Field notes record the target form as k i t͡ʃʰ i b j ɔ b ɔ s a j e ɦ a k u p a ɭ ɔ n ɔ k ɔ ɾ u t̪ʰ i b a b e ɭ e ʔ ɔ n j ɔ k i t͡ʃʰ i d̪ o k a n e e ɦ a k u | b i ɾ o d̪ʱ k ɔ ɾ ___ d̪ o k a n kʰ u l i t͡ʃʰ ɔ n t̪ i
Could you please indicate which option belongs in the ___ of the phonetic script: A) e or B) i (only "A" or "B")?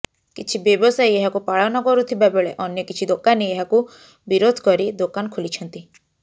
B